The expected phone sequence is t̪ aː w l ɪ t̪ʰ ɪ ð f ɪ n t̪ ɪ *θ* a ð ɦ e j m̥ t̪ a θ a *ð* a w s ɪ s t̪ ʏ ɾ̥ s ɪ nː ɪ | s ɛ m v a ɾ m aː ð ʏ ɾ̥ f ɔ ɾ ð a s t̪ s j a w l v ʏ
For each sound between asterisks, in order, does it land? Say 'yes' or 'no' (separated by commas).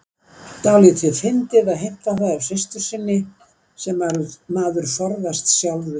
no, yes